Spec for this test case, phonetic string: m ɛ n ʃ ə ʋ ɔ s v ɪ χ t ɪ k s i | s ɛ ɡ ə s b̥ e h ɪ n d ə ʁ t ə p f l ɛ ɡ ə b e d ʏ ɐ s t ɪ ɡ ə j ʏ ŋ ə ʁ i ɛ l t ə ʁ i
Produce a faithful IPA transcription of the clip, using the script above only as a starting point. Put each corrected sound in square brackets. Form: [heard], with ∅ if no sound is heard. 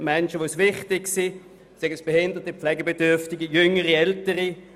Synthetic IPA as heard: m ɛ n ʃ ə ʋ [o] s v ɪ χ t ɪ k s i | s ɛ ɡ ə s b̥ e h ɪ n d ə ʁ t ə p f l ɛ ɡ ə b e d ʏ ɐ [f] t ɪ ɡ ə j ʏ ŋ ə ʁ i ɛ l t ə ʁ i